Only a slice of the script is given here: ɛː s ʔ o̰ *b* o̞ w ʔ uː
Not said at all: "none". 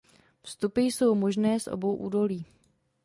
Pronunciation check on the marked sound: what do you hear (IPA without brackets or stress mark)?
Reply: b